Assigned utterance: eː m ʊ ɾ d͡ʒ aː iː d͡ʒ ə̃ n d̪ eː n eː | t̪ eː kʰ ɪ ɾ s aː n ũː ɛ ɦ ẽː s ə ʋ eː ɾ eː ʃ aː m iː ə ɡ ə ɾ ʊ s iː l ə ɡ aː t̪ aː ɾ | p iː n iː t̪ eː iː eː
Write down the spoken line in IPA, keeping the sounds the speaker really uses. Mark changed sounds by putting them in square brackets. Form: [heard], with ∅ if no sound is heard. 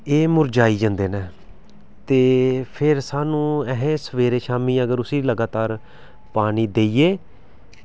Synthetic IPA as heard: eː m ʊ ɾ d͡ʒ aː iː d͡ʒ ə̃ n d̪ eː n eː | t̪ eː [pʰ] ɪ ɾ s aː n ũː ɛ ɦ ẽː s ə ʋ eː ɾ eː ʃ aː m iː ə ɡ ə ɾ ʊ s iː l ə ɡ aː t̪ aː ɾ | p [aː] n iː [d̪] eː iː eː

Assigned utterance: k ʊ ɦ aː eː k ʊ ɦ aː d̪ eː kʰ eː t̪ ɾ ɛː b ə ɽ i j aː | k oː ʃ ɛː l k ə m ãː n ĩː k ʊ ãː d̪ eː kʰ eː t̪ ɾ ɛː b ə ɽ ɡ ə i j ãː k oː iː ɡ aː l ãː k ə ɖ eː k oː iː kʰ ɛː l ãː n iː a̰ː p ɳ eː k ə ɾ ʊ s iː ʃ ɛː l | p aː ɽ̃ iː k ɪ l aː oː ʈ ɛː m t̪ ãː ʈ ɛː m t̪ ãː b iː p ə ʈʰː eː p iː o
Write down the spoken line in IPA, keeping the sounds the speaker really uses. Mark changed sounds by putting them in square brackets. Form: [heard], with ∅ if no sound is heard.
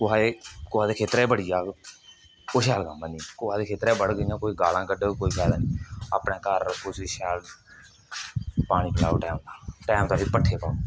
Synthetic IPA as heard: k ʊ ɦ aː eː k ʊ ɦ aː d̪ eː kʰ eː t̪ ɾ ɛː b ə ɽ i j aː | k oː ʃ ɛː l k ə m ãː n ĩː k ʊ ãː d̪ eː kʰ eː t̪ ɾ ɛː b ə ɽ ɡ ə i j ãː k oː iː ɡ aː l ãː k ə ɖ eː k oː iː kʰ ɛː l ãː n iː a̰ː p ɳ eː k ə ɾ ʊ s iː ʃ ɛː l | p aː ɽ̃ iː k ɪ l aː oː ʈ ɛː m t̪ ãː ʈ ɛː m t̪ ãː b iː p ə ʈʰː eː p [aː] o

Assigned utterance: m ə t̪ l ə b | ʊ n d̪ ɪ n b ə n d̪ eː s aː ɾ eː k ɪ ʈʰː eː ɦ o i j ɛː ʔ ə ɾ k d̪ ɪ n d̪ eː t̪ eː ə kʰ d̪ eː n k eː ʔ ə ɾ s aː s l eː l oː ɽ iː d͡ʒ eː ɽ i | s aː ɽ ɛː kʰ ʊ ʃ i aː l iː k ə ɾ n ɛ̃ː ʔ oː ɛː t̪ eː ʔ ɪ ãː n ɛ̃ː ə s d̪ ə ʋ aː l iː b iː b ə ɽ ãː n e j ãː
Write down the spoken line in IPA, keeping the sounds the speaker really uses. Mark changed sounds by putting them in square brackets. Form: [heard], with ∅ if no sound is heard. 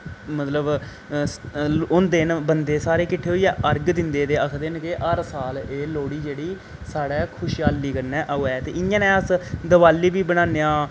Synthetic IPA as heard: m ə t̪ l ə b | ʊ n d̪ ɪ n b ə n d̪ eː s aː ɾ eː k ɪ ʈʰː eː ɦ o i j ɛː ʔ ə ɾ [ɡ] d̪ ɪ n d̪ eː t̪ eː ə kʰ d̪ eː n k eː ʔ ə ɾ s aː [∅] l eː l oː ɽ iː d͡ʒ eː ɽ [iː] | s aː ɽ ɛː kʰ ʊ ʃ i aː l iː k ə ɾ n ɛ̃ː ʔ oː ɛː t̪ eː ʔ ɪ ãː n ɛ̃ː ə s d̪ ə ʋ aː l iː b iː b ə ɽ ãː n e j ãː

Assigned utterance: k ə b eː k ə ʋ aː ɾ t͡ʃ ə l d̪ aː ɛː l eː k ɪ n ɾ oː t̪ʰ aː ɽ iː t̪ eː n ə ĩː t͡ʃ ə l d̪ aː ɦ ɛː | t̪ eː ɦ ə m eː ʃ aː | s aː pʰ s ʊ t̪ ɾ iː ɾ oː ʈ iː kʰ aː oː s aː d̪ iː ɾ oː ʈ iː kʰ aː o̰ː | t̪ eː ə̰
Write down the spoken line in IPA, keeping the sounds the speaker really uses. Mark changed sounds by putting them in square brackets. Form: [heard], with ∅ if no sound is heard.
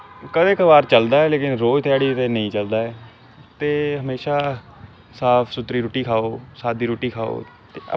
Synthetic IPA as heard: k ə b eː k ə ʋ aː ɾ t͡ʃ ə l d̪ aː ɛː l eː k ɪ n ɾ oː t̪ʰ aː ɽ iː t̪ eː n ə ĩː t͡ʃ ə l d̪ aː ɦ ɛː | t̪ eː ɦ ə m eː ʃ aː | s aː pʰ s ʊ t̪ ɾ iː ɾ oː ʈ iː kʰ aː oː s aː d̪ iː ɾ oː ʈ iː kʰ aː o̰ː | t̪ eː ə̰

